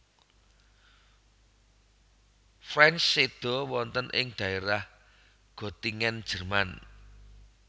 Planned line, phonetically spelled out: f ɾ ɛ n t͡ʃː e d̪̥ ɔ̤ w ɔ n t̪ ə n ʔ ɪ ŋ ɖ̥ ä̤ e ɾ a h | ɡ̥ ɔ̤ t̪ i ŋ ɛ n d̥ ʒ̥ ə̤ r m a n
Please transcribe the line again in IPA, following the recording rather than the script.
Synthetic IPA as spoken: f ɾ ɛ n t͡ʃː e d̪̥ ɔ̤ w ɔ n t̪ ə n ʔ ɪ ŋ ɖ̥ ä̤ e ɾ a h | ɡ̥ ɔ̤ t̪ i ŋ ɛ n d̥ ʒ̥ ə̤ r m a n

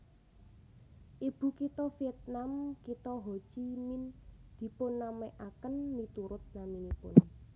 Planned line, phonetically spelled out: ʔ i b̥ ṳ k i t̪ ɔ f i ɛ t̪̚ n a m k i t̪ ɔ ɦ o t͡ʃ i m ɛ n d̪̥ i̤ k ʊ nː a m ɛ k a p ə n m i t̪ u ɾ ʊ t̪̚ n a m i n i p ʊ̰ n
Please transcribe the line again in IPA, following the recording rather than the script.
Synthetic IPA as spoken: ʔ i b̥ ṳ k i t̪ ɔ f i ɛ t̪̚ n a m k i t̪ ɔ ɦ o t͡ʃ i m i n d̪̥ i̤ p ʊ nː a m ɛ ʔ a k ə n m i t̪ u ɾ ʊ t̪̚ n a m i n i p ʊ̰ n

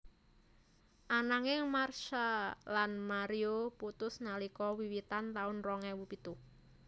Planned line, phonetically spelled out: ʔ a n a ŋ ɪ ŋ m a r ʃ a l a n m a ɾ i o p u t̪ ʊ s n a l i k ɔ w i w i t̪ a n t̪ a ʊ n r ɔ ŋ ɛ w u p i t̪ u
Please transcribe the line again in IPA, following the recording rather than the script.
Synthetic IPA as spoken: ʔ a n a ŋ ɪ ŋ m a r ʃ a l a n m a ɾ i o p u t̪ ʊ s n a l i k ɔ w i w i t̪ a n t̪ a ʊ n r ɔ ŋ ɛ w u p i t̪ u

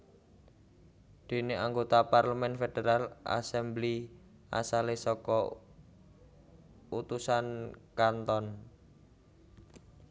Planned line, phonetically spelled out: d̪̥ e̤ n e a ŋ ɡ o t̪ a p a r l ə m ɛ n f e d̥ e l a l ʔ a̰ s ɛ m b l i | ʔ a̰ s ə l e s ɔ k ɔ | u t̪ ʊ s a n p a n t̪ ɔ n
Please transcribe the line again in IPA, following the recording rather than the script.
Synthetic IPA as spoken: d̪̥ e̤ n e a ŋ ɡ o t̪ a p a r l ə m ɛ n f e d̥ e ɾ a l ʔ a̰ s ɛ m b l i | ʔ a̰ s a l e s ɔ k ɔ | u t̪ u s a n k a n t̪ ɔ n

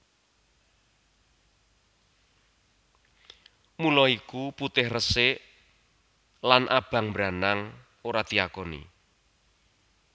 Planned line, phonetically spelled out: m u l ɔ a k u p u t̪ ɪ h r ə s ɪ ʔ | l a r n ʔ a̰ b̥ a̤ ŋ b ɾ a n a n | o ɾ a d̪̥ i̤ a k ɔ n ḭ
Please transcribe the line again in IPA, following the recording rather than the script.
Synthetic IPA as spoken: m u l ɔ i k u p u t̪ ɪ h r ə s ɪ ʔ | l a n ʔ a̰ b̥ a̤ ŋ b ɾ a n a ŋ | o ɾ a d̪̥ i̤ a k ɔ n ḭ

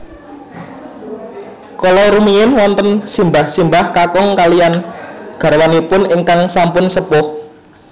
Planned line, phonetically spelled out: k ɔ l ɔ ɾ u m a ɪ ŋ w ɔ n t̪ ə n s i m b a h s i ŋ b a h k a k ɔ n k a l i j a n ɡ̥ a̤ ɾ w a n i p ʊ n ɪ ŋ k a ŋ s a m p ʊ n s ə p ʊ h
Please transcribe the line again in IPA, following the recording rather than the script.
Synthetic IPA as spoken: k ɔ l ɔ ɾ u m i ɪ n w ɔ n t̪ ə n s i m b a h s i m b a h k a k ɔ ŋ k a l i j a n ɡ̥ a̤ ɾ w a n i p ʊ n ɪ ŋ k a ŋ s a m p ʊ n s ə p ʊ h

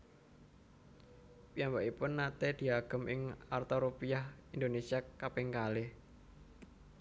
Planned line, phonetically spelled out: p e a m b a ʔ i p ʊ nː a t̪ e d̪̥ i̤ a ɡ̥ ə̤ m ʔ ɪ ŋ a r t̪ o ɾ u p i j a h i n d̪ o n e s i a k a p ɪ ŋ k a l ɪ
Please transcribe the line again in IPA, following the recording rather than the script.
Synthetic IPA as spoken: p i a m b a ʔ i p ʊ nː a t̪ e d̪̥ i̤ a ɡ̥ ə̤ m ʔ ɪ ŋ a r t̪ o ɾ u p i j a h i n d̪ o n e s i a k a p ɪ ŋ k a l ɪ

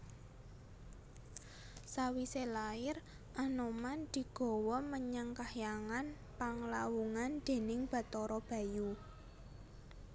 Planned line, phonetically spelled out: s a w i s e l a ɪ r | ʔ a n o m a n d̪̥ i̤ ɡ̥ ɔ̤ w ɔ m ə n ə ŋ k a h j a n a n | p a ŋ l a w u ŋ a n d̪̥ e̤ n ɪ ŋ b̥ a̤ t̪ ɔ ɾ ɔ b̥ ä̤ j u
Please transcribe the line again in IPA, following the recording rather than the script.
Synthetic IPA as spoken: s a w i s e l a ɪ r | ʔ a n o m a n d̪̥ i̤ ɡ̥ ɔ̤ w ɔ m ə ɲ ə ŋ k a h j a ŋ a n | p a ŋ l a w u ŋ a n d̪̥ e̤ n ɪ ŋ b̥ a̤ t̪ ɔ ɾ ɔ b̥ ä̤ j u

